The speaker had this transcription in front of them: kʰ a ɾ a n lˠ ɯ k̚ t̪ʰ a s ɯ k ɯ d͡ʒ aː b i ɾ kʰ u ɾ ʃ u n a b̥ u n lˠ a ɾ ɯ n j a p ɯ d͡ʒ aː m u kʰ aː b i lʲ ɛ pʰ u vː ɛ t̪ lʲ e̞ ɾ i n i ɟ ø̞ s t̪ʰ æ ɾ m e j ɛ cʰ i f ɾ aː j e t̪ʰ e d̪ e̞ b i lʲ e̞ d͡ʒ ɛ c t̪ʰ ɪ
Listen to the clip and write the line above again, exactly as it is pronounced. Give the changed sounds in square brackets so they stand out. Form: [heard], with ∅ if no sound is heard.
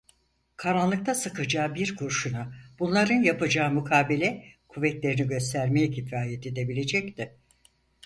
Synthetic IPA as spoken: kʰ a ɾ a n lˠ ɯ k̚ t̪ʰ a s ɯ k ɯ d͡ʒ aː b i ɾ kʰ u ɾ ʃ u n a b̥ u n lˠ a ɾ ɯ n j a p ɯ d͡ʒ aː m u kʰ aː b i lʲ ɛ [kʰ] u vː ɛ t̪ lʲ e̞ ɾ i n i ɟ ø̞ s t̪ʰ æ ɾ m e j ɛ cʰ i f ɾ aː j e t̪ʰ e d̪ e̞ b i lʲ e̞ d͡ʒ ɛ c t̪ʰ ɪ